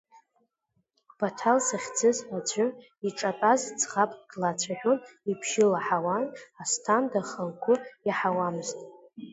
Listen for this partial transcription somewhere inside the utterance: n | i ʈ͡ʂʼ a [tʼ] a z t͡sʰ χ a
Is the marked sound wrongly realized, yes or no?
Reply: no